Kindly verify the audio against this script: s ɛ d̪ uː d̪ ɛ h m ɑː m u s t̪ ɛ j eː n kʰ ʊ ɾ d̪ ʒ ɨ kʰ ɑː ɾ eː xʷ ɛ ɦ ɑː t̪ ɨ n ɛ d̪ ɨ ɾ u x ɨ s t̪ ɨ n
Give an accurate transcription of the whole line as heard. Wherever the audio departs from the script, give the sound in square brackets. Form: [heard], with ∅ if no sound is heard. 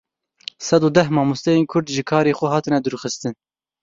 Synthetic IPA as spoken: s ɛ d̪ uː d̪ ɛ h m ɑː m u s t̪ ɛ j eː n kʰ ʊ ɾ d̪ ʒ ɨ kʰ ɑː ɾ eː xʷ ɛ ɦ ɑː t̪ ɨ n ɛ d̪ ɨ ɾ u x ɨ s t̪ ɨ n